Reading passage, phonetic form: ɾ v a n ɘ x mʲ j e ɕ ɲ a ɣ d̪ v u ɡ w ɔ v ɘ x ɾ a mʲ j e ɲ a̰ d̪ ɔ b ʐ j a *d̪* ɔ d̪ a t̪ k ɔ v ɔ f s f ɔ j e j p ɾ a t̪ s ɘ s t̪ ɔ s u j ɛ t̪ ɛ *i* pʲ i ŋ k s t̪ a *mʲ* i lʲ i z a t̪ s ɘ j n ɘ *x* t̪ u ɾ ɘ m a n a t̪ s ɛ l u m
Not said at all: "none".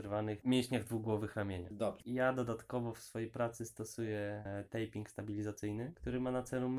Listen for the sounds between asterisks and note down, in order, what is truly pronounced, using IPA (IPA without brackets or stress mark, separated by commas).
d̪, j, bʲ, k